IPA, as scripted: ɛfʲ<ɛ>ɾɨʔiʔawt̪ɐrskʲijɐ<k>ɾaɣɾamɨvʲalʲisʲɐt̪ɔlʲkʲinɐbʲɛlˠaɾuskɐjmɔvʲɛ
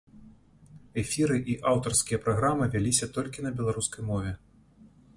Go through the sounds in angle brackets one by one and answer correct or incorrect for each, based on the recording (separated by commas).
incorrect, incorrect